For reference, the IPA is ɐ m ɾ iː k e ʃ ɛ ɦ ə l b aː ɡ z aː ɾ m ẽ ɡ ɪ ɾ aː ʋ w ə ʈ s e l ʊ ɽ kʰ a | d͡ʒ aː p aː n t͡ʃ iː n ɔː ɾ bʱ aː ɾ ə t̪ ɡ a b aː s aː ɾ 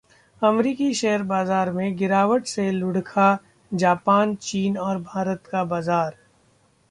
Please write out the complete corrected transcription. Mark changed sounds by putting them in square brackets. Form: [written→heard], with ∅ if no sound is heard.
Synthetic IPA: ɐ m ɾ iː k [e→i] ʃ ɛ ɦ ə [l→ɾ] b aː [ɡ→∅] z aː ɾ m ẽ ɡ ɪ ɾ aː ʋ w ə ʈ s e l ʊ ɽ kʰ a | d͡ʒ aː p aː n t͡ʃ iː n ɔː ɾ bʱ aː ɾ ə t̪ [ɡ→k] a b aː [s→z] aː ɾ